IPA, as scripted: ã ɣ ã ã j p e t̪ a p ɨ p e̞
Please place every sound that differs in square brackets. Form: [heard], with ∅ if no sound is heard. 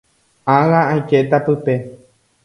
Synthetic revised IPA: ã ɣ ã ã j [k] e t̪ a p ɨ p e̞